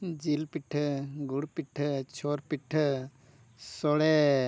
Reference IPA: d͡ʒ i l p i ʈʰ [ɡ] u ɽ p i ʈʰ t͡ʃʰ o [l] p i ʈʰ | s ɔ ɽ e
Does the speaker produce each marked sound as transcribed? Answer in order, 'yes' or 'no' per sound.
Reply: yes, no

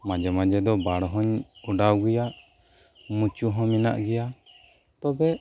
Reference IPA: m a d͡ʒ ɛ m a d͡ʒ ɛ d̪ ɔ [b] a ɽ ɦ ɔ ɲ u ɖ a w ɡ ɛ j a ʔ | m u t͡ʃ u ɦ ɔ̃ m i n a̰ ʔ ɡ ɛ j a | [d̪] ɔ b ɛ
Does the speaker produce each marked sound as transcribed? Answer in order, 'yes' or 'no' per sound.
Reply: yes, no

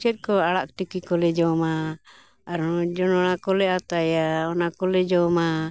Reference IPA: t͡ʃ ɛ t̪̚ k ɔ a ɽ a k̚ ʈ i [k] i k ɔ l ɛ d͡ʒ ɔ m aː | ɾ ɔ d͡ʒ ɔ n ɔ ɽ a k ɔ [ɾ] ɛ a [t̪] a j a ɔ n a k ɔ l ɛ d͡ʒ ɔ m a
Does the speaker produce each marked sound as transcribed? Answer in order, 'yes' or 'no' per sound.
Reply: yes, no, yes

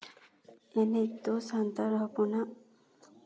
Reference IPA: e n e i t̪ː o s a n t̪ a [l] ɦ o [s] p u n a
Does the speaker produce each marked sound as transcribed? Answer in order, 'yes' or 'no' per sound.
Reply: no, no

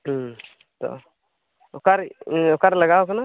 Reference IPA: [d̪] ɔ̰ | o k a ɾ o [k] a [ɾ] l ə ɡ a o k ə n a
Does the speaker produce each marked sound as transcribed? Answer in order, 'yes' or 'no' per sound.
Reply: no, yes, yes

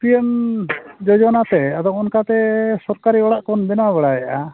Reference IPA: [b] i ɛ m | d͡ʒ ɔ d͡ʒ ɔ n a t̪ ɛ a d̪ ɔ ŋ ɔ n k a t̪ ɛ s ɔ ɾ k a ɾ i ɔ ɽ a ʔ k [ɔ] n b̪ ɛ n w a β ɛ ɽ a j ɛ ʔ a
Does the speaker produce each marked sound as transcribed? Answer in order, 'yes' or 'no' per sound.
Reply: no, yes

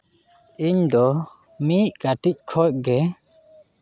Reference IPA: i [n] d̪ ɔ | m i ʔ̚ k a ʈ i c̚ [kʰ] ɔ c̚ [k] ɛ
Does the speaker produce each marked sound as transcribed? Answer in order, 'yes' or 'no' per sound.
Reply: no, yes, no

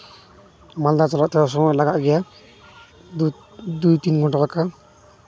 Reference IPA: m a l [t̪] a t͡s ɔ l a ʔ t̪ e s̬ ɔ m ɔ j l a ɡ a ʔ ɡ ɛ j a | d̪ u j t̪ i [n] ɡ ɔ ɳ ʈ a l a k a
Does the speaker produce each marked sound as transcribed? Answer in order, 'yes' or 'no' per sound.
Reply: no, yes

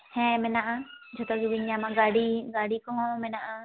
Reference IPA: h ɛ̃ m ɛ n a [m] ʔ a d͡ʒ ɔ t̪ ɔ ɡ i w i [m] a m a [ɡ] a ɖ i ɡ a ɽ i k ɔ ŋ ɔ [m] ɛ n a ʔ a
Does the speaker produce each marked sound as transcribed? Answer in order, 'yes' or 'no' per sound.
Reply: no, no, yes, yes

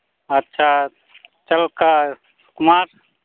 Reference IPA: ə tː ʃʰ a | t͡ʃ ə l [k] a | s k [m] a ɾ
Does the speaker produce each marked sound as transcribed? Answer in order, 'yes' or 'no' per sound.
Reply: yes, yes

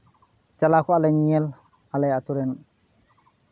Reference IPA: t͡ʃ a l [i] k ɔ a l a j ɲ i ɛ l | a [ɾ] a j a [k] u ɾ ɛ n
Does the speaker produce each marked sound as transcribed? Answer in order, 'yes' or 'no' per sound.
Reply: no, no, no

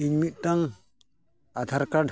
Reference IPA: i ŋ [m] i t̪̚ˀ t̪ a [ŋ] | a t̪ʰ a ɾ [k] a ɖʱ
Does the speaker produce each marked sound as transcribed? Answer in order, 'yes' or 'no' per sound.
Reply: yes, yes, yes

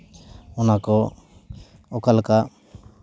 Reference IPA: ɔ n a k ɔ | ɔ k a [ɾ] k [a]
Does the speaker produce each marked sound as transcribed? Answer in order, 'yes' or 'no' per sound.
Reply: no, yes

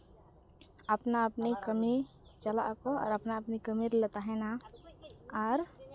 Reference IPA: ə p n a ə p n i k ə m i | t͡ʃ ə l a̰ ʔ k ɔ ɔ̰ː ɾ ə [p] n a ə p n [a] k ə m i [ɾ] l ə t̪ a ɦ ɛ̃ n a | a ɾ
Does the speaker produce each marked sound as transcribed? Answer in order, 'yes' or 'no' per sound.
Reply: yes, no, yes

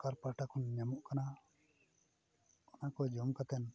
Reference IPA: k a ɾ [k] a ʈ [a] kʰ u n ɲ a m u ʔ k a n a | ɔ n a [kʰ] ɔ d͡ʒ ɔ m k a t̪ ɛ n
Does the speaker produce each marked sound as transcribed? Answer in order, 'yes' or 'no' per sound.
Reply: no, yes, no

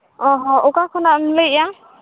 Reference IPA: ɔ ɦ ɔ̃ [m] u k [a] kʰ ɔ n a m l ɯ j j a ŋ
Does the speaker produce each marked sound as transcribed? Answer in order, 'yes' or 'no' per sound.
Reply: no, yes

